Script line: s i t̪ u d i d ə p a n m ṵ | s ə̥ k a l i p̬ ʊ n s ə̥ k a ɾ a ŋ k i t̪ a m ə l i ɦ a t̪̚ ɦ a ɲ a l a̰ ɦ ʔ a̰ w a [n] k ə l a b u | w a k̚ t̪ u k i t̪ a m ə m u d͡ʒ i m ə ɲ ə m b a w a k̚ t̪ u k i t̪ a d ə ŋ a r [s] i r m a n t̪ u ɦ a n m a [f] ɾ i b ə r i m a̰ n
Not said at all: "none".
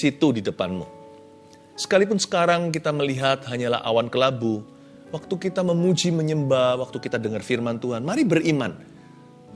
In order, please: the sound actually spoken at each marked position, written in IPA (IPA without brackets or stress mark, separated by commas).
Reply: n, f, none